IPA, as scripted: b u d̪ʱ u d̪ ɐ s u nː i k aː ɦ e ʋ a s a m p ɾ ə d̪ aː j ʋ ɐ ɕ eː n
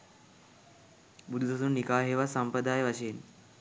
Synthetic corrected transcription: b u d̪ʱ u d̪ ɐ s u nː i k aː ɦ e ʋ a s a m p ɾ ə d̪ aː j ʋ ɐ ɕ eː n